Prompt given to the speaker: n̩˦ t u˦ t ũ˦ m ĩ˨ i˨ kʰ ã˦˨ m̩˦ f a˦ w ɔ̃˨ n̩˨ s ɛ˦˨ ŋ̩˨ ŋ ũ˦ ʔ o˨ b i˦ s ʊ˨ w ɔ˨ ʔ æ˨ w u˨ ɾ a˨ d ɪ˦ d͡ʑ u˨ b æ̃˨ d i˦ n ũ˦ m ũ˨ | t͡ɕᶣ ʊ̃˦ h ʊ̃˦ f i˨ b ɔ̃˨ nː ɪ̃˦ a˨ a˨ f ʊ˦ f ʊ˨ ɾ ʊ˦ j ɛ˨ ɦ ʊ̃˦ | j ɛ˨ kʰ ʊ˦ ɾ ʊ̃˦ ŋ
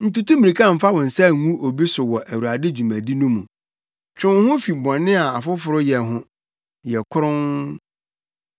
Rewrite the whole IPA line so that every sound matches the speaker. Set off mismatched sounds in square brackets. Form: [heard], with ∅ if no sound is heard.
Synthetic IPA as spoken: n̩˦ t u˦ t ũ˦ m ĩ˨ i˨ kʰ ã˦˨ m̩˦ f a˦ w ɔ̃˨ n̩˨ s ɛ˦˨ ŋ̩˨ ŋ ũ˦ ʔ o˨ b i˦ s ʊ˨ w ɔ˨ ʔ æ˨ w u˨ ɾ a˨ d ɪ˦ d͡ʑ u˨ [m] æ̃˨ d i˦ n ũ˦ m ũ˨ | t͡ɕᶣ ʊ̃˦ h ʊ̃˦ f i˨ b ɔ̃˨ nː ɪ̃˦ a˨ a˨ f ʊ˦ f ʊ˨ ɾ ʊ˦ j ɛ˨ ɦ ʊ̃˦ | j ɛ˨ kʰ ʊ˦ ɾ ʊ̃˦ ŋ